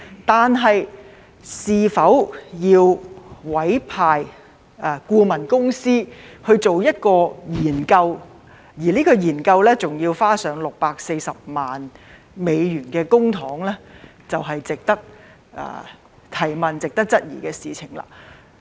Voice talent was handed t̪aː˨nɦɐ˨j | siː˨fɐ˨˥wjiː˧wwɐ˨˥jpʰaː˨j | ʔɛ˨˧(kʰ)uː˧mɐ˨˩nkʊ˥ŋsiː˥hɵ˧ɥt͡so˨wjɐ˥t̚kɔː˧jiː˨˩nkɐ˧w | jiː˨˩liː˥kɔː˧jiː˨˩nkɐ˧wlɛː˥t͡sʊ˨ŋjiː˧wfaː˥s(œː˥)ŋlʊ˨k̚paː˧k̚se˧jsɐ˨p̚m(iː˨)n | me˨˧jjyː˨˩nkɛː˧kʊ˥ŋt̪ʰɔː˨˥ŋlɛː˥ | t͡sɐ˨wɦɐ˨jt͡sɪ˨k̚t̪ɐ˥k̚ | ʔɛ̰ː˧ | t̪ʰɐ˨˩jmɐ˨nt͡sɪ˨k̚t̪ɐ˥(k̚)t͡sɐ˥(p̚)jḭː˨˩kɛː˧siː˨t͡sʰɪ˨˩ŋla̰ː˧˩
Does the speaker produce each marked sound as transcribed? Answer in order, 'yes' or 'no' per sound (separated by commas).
no, no, no, yes, no